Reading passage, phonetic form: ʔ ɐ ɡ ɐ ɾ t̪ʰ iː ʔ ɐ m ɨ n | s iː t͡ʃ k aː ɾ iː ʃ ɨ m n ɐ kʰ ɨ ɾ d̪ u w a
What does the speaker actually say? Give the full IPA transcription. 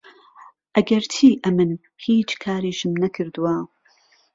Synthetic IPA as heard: ʔ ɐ ɡ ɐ ɾ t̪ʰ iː ʔ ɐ m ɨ n | h iː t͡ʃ kʰ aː ɾ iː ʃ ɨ m n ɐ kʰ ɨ ɾ d̪ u w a